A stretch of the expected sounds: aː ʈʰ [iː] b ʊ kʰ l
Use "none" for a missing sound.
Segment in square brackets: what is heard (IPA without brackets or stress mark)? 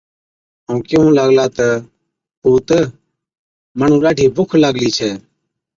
iː